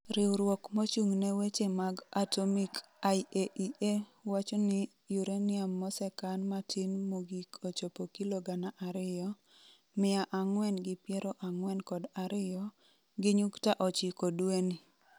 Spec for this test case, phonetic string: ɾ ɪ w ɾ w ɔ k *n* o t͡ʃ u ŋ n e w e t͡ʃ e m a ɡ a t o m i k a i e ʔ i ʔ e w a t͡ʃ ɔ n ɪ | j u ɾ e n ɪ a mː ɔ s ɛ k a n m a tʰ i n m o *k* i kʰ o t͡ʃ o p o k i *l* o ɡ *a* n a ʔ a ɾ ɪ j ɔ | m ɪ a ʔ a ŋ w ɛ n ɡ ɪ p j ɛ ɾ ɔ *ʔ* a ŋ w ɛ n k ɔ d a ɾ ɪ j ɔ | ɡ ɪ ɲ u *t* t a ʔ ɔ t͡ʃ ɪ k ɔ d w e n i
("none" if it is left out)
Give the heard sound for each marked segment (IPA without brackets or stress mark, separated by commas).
m, ɡ, l, a, ʔ, k